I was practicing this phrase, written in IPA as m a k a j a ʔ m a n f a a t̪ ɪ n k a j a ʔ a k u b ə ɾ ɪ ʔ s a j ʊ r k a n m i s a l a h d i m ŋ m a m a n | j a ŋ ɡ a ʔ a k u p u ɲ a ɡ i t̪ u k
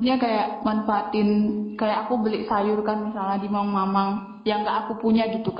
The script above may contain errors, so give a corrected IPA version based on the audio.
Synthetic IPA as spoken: ɲ a k a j a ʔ m a n f a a t̪ ɪ n k a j a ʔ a k u b ə l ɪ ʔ s a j ʊ r k a n m i s a l a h d i m ŋ m a m a ŋ | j a ŋ ɡ a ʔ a k u p u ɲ a ɡ i t̪ u k